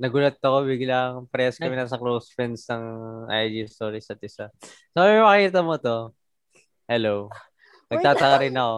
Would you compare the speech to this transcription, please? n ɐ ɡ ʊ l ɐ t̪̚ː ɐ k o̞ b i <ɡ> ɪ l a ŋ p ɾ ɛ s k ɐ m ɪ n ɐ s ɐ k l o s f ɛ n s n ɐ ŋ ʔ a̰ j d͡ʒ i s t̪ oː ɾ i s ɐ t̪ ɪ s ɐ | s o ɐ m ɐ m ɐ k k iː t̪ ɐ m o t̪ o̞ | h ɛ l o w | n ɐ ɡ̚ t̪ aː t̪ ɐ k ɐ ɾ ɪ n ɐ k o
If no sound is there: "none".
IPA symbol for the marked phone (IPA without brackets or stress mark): ɡ